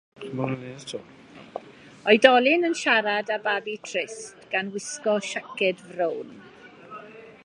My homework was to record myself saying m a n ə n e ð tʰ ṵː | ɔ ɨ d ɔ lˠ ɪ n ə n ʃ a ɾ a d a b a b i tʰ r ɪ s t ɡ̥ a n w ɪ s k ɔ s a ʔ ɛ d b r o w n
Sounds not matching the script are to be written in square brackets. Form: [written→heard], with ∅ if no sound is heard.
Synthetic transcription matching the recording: m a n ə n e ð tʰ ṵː | ɔ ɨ d ɔ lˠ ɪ n ə n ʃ a ɾ a d a b a b i tʰ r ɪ s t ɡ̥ a n w ɪ s k ɔ [s→ʃ] a [ʔ→k] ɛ d [b→v] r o w n